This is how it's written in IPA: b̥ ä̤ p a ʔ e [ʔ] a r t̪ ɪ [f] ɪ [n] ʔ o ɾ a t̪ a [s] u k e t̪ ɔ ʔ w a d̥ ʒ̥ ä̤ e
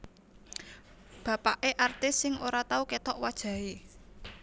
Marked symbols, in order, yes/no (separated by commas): yes, no, no, no